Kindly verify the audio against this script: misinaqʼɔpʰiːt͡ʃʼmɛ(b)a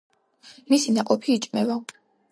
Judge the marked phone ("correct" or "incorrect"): incorrect